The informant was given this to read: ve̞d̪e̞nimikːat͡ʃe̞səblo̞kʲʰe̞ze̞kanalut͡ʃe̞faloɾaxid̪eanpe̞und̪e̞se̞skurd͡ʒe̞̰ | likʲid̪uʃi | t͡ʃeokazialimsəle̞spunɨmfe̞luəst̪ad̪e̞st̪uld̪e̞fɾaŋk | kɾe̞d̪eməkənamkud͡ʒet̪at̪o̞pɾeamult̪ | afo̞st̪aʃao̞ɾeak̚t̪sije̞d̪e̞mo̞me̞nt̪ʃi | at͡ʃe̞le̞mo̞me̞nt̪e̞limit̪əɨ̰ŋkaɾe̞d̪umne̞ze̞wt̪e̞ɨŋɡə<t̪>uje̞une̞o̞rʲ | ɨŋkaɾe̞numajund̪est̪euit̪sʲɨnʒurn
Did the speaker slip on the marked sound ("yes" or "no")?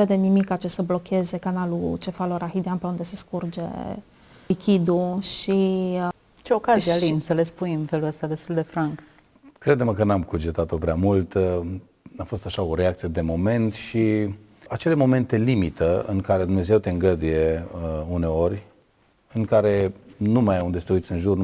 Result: yes